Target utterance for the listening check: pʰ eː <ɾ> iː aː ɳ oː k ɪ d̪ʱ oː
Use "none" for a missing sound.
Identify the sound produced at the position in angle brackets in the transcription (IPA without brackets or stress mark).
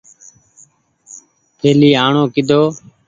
l